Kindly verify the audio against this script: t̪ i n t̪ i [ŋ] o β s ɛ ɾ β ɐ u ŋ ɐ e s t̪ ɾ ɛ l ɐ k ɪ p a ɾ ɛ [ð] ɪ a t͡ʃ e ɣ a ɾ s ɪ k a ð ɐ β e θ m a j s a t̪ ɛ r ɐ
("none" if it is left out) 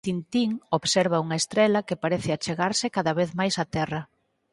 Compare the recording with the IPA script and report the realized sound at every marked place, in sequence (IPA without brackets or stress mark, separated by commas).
ŋ, θ